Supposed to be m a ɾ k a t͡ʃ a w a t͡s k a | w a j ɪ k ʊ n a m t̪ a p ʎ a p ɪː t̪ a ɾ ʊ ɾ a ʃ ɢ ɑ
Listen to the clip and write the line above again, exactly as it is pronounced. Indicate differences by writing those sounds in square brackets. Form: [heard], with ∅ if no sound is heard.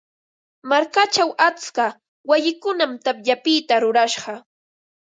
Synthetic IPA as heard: m a ɾ k a t͡ʃ a w a t͡s k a | w a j ɪ k ʊ n a m t̪ a p ʎ a p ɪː t̪ a ɾ ʊ ɾ a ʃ ɢ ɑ